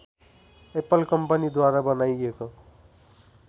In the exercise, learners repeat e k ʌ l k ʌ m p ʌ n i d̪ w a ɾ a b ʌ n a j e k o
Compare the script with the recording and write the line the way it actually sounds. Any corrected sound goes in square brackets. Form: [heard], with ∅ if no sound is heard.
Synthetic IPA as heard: e [p] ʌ l k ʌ m p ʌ n i d̪ w a ɾ a b ʌ n a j e k o